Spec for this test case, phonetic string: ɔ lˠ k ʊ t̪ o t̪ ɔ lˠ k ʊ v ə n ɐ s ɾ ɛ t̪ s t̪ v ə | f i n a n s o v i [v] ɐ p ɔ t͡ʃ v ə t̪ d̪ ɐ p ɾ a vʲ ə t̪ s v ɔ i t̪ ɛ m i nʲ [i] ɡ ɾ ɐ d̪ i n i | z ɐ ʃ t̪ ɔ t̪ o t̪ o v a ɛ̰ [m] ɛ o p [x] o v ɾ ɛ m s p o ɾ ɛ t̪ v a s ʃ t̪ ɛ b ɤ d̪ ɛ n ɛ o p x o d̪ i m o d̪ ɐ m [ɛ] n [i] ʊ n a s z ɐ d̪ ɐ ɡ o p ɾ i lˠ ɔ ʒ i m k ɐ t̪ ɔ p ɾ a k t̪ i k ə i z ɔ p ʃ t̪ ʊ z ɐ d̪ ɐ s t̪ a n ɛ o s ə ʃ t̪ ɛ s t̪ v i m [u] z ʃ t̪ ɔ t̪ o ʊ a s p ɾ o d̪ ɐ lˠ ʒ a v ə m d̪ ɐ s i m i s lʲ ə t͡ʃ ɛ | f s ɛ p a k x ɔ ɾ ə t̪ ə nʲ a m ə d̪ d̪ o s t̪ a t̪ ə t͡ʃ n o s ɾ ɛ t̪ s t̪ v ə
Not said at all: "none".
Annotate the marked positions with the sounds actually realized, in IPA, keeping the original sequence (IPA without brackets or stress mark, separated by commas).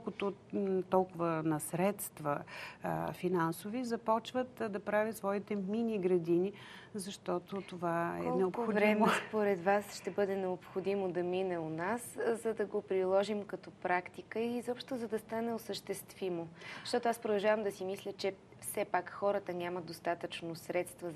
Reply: z, i, n, x, i, ɛ, o